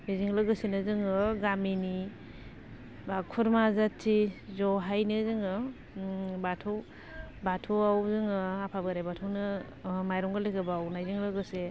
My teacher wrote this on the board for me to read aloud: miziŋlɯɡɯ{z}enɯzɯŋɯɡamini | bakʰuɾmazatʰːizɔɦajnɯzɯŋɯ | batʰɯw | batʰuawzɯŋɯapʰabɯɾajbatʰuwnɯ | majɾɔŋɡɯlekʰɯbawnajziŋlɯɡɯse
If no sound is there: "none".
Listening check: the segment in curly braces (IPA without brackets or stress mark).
s